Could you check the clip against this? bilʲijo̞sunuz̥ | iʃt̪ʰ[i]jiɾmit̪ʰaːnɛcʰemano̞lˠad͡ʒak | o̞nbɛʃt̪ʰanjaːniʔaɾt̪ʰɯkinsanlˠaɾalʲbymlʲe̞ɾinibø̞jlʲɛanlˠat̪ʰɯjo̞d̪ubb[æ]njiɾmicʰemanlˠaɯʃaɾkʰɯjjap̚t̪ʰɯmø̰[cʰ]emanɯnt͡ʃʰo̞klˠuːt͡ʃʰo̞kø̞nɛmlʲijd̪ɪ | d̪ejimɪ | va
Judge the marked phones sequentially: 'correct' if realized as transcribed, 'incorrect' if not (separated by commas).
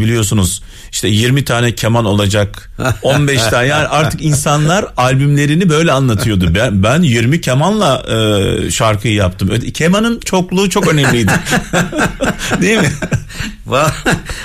incorrect, correct, correct